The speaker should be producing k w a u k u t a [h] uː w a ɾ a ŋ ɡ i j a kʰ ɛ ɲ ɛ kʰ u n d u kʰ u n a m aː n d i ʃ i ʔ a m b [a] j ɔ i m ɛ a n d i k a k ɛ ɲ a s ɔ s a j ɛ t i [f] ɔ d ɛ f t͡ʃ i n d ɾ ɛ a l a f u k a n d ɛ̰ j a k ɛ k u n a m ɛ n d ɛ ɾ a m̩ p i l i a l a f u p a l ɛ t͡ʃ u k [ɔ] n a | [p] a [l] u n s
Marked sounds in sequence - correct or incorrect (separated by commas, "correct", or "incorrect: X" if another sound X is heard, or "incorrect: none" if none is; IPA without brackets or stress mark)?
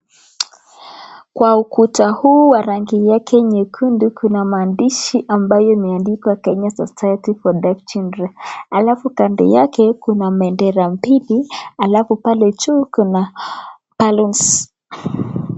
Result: correct, correct, correct, incorrect: u, correct, correct